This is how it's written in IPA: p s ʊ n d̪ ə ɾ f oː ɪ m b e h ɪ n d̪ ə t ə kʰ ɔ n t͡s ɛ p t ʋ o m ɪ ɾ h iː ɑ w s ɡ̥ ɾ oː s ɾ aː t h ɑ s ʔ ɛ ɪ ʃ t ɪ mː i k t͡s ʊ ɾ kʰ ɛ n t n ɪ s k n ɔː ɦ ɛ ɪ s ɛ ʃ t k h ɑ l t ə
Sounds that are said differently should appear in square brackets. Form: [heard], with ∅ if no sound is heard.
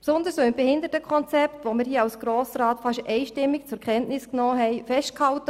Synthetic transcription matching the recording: p s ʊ n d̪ ə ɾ [s] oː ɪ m b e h ɪ n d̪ ə t ə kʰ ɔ n t͡s ɛ p t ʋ o m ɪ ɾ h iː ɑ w s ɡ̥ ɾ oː s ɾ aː t [f] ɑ [ʃ] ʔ ɛ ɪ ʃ t ɪ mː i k t͡s ʊ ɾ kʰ ɛ n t n ɪ s k n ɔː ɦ ɛ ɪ [f] ɛ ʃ t k h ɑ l t ə